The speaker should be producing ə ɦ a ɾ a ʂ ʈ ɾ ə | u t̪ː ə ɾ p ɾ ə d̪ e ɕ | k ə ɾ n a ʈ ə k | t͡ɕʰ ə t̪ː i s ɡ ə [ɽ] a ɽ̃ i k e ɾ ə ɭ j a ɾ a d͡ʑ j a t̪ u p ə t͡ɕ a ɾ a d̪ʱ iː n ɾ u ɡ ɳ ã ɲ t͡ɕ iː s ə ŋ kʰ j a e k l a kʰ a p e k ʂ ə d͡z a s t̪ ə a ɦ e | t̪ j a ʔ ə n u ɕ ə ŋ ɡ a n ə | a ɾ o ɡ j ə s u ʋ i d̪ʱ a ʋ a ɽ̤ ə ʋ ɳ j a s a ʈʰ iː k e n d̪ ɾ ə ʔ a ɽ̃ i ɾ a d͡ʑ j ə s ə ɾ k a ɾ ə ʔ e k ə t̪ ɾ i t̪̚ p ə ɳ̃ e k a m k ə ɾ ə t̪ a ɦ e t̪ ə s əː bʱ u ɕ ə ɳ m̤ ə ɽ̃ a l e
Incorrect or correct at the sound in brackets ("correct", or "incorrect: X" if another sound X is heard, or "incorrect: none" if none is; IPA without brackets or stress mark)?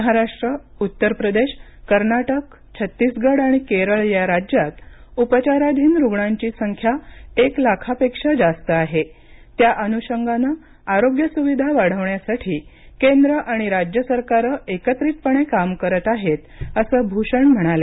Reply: correct